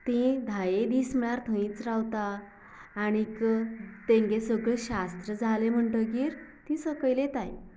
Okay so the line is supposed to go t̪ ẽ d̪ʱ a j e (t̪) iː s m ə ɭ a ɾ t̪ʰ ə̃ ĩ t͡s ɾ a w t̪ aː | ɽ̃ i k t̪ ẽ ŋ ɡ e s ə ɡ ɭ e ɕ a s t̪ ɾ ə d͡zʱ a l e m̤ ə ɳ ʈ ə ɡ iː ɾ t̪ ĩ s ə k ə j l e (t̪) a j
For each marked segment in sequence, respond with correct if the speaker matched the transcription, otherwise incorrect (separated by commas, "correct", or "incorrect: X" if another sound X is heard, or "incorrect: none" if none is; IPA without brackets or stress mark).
incorrect: d̪, correct